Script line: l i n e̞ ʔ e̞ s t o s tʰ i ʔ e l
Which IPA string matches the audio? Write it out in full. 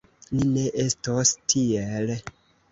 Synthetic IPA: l i n e̞ ʔ e̞ s t o s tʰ i e l